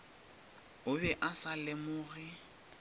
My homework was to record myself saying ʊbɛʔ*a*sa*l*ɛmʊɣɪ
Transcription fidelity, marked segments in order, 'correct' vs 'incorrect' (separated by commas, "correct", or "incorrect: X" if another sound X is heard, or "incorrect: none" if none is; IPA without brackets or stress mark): correct, correct